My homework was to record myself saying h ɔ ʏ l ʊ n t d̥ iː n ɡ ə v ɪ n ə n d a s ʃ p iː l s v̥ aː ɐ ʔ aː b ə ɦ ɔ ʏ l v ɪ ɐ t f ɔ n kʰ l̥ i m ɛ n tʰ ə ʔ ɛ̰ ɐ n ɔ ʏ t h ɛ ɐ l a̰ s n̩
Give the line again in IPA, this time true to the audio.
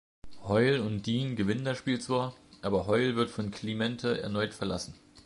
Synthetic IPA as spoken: h ɔ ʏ l ʊ n t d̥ iː n ɡ ə v ɪ n ə n d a s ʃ p iː l t͡s v̥ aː ɐ ʔ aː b ɐ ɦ ɔ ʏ l v ɪ ɐ t f ɔ n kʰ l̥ i m ɛ n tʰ ə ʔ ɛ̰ ɐ n ɔ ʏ t f ɛ ɐ l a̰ s n̩

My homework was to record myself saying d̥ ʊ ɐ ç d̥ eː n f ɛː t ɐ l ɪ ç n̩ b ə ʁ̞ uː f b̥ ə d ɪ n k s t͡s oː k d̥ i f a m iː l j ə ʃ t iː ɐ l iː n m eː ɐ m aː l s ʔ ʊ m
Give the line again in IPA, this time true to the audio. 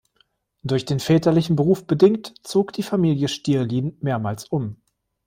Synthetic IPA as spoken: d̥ ʊ ɐ ç d̥ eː n f ɛː t ɐ l ɪ ç n̩ b ə ʁ̞ uː f b̥ ə d ɪ ŋ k t t͡s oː k d̥ iː f a m iː l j ə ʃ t iː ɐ l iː n m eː ɐ m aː l s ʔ ʊ m

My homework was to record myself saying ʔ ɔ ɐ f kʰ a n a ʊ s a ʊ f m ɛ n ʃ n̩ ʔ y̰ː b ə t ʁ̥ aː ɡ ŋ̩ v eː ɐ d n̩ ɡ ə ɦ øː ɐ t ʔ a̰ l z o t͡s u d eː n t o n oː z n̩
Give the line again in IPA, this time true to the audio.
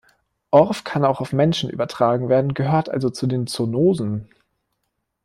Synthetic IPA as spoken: ʔ ɔ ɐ f kʰ a n a ʊ x a ʊ f m ɛ n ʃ n̩ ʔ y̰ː b ɐ t ʁ̥ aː ɡ ŋ̩ v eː ɐ d n̩ ɡ ə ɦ øː ɐ t ʔ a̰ l z o t͡s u d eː n t͡s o n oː z n̩

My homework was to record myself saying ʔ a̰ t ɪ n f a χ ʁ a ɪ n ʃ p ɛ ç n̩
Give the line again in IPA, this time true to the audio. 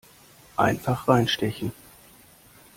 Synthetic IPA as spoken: ʔ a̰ ɪ n f a χ ʁ a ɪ n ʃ t ɛ ç n̩

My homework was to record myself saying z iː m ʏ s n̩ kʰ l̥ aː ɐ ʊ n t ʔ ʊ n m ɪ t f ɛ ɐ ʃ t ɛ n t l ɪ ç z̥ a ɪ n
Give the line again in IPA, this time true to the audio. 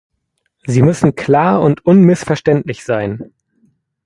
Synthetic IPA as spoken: z iː m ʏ s n̩ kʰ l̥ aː ɐ ʊ n t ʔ ʊ n m ɪ s f ɛ ɐ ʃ t ɛ n t l ɪ ç z̥ a ɪ n

